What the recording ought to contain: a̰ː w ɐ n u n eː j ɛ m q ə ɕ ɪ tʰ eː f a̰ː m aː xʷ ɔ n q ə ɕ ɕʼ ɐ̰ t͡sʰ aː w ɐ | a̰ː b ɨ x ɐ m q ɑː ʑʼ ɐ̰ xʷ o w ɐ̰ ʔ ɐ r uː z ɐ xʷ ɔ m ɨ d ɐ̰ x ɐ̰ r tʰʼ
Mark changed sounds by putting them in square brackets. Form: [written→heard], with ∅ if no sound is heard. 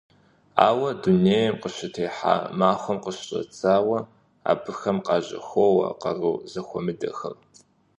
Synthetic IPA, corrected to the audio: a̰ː w ɐ [n→d] u n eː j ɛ m q ə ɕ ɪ tʰ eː [f→ħ] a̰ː m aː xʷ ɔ [n→m] q ə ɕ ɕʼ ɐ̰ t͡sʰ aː w ɐ | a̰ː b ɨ x ɐ m q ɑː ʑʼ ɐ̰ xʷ o w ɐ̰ [ʔ→q] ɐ r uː z ɐ xʷ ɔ m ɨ d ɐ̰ x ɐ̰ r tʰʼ